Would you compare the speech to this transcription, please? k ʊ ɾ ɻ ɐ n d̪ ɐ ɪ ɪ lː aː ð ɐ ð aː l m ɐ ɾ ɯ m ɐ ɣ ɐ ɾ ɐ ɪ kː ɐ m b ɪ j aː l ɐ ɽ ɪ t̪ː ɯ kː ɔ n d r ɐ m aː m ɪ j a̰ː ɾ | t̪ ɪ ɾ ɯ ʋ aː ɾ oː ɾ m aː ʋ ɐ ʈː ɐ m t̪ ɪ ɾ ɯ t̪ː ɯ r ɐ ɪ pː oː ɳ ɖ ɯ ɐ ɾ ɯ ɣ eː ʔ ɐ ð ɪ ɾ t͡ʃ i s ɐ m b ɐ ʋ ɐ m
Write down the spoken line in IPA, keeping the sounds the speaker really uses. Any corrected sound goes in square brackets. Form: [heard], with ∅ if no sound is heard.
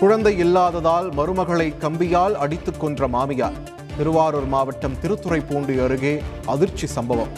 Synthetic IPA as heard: k ʊ [∅] ɻ ɐ n d̪ ɐ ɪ ɪ lː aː ð ɐ ð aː l m ɐ ɾ ɯ m ɐ ɣ ɐ [ɭ] ɐ ɪ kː ɐ m b ɪ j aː l ɐ ɽ ɪ t̪ː ɯ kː ɔ n d r ɐ m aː m ɪ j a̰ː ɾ | t̪ ɪ ɾ ɯ ʋ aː ɾ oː ɾ m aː ʋ ɐ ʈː ɐ m t̪ ɪ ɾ ɯ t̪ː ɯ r ɐ ɪ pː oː ɳ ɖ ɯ ɐ ɾ ɯ ɣ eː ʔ ɐ ð ɪ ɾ t͡ʃ i s ɐ m b ɐ ʋ ɐ m